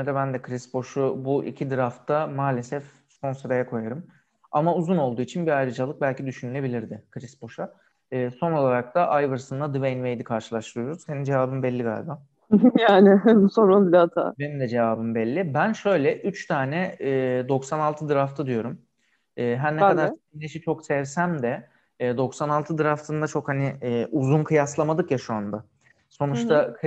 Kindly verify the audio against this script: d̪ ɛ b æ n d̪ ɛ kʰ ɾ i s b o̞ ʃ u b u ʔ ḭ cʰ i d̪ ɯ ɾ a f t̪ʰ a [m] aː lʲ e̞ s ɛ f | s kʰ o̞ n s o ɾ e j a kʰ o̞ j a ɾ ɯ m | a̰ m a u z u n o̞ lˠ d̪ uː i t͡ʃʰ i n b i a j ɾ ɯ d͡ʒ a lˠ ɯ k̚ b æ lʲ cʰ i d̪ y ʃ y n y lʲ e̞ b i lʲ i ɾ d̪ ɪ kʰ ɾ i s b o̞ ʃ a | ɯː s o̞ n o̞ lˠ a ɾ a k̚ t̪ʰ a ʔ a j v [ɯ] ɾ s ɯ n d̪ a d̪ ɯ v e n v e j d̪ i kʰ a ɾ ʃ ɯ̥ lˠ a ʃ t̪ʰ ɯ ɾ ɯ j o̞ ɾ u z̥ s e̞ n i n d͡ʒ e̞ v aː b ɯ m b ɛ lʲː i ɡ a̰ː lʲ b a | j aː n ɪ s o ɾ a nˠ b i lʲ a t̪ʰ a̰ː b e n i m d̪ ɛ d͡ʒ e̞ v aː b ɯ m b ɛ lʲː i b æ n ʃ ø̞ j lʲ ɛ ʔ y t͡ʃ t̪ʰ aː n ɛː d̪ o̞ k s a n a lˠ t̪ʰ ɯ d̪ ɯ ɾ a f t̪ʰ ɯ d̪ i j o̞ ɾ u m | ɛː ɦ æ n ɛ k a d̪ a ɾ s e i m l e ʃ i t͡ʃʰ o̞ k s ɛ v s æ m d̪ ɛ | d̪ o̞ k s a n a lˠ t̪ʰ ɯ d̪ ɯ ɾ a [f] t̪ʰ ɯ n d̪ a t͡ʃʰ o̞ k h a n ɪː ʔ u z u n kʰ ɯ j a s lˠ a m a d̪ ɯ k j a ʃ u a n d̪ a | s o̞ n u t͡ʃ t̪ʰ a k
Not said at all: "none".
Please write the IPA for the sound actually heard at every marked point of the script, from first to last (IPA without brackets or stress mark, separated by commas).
m, ɯ, f